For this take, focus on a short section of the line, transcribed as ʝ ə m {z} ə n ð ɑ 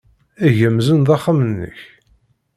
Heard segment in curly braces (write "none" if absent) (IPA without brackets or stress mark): z